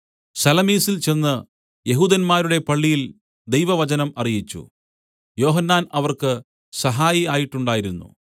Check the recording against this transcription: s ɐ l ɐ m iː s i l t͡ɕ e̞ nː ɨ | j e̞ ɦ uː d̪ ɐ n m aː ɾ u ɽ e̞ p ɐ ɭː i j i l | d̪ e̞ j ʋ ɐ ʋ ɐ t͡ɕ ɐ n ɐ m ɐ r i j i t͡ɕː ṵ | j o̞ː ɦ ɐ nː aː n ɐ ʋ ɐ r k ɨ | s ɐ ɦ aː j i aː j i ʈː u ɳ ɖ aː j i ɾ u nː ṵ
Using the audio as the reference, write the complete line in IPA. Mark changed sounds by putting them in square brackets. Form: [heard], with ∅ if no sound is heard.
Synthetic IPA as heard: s ɐ l ɐ m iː s i l t͡ɕ e̞ nː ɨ | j e̞ ɦ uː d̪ ɐ n m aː ɾ u ɽ e̞ p ɐ ɭː i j i l | d̪ e̞ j ʋ ɐ ʋ ɐ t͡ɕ ɐ n ɐ m ɐ r i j i t͡ɕː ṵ | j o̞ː ɦ ɐ nː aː n ɐ ʋ ɐ r k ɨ | s ɐ ɦ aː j i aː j i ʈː u ɳ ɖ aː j i ɾ u nː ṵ